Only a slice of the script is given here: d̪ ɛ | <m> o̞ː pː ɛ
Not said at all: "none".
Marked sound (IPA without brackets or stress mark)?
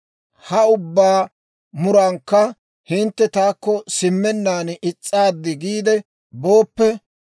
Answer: b